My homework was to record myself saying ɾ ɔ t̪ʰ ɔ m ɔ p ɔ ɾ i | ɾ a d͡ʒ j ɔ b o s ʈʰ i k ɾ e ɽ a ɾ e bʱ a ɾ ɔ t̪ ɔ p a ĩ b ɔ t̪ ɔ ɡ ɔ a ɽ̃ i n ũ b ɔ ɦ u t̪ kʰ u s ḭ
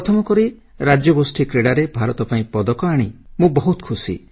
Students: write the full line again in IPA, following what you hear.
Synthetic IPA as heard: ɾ ɔ t̪ʰ ɔ m ɔ k ɔ ɾ i | ɾ a d͡ʒ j ɔ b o s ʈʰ i k ɾ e ɽ a ɾ e bʱ a ɾ ɔ t̪ ɔ p a ĩ p ɔ d̪ ɔ k ɔ a ɽ̃ i m ũ b ɔ ɦ u t̪ kʰ u s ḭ